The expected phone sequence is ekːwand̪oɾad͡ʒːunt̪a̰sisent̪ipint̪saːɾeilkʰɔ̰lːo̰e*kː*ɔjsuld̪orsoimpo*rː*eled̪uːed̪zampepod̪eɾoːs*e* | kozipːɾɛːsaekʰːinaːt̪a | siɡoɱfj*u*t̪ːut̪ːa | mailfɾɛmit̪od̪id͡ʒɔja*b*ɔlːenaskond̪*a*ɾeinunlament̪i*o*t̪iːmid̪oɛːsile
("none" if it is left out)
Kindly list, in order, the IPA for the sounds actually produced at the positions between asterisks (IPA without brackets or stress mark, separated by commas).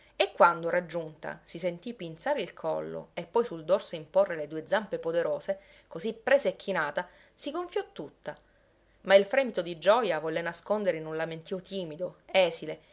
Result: pː, rː, e, ɔ, v, e, o